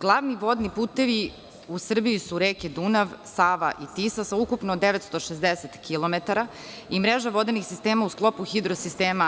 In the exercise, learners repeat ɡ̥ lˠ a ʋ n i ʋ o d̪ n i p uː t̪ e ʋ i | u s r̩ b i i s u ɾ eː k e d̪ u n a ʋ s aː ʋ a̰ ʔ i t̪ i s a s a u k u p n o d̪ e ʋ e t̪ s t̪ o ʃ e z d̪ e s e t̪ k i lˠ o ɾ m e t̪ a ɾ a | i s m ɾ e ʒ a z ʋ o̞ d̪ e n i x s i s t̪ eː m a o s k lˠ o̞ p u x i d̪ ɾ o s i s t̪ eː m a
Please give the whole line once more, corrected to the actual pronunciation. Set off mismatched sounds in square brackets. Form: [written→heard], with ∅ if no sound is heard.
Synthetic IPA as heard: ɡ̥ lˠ a ʋ n i ʋ o d̪ n i p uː t̪ e ʋ i | u s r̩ b i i s u ɾ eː k e d̪ u n a ʋ s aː ʋ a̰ ʔ i t̪ i s a s a u k u p n o d̪ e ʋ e t̪ s t̪ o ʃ e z d̪ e s e t̪ k i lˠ o [ɾ→∅] m e t̪ a ɾ a | i [s→∅] m ɾ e ʒ a [z→∅] ʋ o̞ d̪ e n i x s i s t̪ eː m a [o→u] s k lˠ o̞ p u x i d̪ ɾ o s i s t̪ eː m a